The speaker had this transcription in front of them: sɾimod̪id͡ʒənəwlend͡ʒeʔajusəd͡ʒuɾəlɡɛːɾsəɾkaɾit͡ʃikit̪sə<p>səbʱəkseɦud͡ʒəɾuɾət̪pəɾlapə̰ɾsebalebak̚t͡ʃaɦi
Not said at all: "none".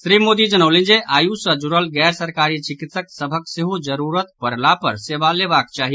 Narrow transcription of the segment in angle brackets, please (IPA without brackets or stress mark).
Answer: k